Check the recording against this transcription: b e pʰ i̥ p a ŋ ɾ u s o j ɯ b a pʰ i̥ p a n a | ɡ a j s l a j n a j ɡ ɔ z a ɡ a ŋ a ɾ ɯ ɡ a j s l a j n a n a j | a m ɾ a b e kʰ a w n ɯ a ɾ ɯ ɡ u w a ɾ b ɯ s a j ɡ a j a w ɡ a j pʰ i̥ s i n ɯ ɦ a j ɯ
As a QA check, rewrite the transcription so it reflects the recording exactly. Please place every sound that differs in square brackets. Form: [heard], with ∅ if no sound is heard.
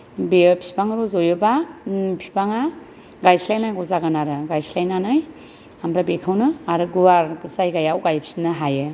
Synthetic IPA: b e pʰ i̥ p a ŋ ɾ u [z] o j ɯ b a pʰ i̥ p a [ŋ] a | ɡ a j s l a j n a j ɡ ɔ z a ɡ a [n] a ɾ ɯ ɡ a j s l a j n a n a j | a m ɾ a b e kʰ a w n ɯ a ɾ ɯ ɡ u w a ɾ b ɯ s a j ɡ a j a w ɡ a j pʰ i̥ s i n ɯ ɦ a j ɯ